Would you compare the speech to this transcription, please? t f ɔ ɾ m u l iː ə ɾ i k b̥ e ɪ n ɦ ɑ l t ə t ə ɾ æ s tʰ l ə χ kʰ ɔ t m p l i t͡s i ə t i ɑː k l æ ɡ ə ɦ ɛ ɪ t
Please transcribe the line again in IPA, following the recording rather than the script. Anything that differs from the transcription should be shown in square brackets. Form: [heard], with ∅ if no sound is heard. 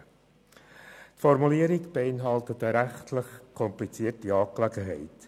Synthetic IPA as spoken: t f ɔ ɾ m u l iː ə ɾ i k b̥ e ɪ n ɦ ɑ l t ə t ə ɾ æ [χ] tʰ l ə χ kʰ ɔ [∅] m p l i t͡s i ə t i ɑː k l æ ɡ ə ɦ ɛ ɪ t